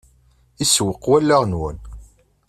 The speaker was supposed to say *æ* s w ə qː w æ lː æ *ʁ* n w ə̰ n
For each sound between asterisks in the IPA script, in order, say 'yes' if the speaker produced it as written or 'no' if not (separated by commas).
no, yes